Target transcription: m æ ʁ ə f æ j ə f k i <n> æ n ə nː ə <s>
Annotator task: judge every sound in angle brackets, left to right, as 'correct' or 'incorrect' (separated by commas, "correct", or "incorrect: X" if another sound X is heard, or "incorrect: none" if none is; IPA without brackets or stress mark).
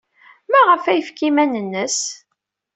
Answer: incorrect: m, correct